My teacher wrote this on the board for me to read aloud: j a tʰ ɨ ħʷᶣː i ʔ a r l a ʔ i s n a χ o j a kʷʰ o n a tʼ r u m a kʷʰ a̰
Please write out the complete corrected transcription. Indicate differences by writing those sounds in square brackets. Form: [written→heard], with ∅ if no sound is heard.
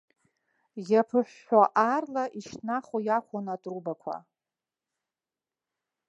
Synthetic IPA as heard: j a [tʰ→pʰ] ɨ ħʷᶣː [i→a] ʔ a r l a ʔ i [s→ʃ] n a χ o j a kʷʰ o n a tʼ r u [m→b] a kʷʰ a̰